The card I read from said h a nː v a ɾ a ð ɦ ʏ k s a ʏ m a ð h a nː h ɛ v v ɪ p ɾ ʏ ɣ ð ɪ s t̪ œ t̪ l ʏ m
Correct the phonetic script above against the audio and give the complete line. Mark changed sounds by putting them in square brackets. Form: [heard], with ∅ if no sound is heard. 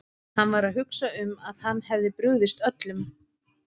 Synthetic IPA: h a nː v a ɾ a ð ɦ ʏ k s a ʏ m a ð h a nː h ɛ v [ð] ɪ p ɾ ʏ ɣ ð ɪ s t̪ œ t̪ l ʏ m